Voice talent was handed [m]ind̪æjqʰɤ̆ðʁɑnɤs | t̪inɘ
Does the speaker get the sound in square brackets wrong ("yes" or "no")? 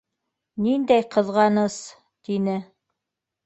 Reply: yes